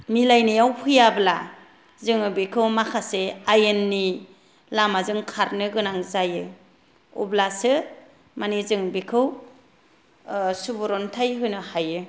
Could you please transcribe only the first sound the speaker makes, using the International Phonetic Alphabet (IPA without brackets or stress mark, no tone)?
m